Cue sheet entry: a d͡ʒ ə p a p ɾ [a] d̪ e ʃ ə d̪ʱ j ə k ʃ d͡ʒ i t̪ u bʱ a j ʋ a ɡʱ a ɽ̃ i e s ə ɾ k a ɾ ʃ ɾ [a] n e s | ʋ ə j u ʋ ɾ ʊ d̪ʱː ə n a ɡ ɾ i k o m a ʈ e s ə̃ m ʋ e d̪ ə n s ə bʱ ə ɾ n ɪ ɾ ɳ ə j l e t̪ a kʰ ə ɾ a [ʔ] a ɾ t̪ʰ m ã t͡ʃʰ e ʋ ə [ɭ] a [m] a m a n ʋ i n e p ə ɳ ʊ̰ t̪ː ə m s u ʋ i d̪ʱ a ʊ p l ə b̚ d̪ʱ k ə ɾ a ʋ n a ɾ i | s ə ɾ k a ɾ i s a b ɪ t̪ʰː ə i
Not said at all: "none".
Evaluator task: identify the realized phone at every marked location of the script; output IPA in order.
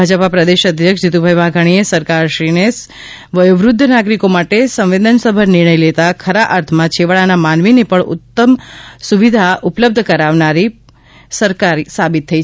ə, i, ʔ, ɭ, n

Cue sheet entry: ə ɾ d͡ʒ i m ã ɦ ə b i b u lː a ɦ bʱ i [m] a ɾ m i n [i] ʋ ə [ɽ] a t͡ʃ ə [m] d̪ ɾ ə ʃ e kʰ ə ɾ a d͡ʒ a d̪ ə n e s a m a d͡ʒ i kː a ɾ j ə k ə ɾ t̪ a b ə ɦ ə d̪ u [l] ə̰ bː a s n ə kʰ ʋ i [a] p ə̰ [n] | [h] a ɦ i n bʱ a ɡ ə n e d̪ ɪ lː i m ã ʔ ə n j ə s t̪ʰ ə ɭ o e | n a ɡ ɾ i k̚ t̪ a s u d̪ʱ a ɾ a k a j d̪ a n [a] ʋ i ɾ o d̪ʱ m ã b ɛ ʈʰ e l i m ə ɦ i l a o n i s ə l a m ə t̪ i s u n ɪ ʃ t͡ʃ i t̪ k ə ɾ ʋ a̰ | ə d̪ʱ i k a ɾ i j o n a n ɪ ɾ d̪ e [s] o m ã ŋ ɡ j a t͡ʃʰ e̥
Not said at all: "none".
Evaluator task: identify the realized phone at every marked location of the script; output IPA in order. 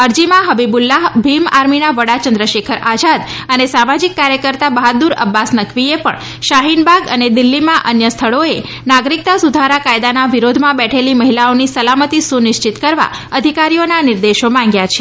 m, a, ɽ, n, ɾ, e, ɳ, ʃ, a, ʃ

